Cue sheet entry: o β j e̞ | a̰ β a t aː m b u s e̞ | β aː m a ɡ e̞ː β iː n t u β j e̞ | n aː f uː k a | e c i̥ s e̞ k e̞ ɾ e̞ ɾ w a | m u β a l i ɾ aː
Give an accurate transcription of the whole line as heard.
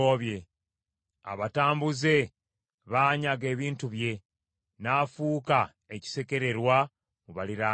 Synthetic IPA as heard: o β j e̞ | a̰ β a t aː m b u z e̞ | β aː ɲ a ɡ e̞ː β iː n t u β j e̞ | n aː f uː k a | e c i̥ s e̞ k e̞ ɾ e̞ ɾ w a | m u β a l i ɾ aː